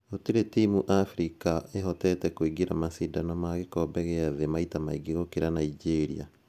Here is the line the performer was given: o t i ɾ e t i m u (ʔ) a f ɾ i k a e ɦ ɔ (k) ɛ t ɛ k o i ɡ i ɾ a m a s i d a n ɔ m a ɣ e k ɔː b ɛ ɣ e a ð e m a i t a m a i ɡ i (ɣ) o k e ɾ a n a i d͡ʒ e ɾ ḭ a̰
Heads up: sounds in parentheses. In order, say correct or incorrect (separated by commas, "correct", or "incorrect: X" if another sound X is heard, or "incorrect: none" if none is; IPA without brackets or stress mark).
correct, incorrect: t, correct